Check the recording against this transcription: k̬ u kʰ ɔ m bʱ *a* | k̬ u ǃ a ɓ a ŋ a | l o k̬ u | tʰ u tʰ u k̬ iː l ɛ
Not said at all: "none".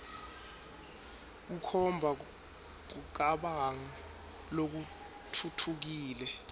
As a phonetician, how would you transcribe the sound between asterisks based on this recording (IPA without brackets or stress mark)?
a